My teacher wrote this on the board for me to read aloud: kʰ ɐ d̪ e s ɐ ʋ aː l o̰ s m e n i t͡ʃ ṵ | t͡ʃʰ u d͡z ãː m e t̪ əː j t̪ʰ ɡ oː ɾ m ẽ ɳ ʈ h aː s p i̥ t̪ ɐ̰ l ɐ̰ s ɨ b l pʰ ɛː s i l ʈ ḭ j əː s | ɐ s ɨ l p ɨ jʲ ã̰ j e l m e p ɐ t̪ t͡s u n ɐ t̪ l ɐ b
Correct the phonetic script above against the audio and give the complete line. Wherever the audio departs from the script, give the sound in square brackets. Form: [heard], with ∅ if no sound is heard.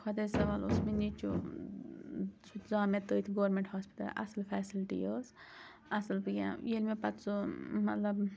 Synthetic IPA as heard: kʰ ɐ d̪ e s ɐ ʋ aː l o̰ s m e n i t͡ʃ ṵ | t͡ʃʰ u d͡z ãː m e t̪ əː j t̪ʰ ɡ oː ɾ m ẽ ɳ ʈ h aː s p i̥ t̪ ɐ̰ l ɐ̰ s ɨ [∅] l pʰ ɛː s i l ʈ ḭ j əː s | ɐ s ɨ l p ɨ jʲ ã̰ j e l m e p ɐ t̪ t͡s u [m] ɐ t̪ l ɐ b